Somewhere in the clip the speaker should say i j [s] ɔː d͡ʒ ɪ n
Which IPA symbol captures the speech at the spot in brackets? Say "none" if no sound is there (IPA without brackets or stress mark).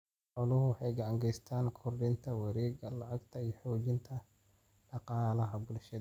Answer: ħ